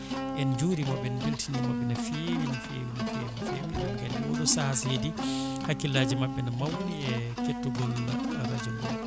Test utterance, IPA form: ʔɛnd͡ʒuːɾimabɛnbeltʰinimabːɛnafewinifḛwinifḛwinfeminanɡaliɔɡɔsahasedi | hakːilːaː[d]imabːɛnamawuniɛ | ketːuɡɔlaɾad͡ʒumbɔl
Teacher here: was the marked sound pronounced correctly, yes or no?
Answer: no